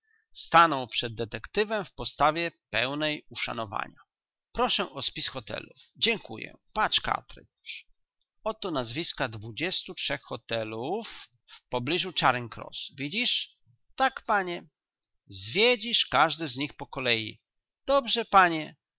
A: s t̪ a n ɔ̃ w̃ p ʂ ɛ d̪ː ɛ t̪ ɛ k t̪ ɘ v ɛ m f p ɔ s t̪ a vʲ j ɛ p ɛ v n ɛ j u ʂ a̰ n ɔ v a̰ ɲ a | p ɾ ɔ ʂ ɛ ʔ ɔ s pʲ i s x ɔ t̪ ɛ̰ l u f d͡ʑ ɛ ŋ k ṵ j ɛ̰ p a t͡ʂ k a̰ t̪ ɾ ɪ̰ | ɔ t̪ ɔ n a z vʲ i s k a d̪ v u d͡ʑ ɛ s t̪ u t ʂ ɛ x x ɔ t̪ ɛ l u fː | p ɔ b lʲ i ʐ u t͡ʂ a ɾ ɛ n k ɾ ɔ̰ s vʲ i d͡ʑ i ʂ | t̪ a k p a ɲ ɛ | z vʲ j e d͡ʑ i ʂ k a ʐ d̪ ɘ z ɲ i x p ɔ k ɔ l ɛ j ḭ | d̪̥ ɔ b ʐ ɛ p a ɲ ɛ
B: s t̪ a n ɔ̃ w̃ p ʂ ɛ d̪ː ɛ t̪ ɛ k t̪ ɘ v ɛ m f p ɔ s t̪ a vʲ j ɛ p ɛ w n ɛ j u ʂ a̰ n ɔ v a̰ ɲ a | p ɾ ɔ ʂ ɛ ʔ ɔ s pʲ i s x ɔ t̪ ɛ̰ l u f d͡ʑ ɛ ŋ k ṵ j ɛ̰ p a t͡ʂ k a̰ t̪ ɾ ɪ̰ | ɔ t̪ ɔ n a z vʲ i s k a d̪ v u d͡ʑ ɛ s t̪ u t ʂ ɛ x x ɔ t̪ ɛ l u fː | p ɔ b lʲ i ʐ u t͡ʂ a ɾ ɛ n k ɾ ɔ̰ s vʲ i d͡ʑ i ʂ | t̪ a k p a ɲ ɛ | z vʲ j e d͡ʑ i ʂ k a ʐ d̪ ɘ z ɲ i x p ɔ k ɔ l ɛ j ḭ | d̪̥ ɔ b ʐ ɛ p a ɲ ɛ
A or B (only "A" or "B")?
B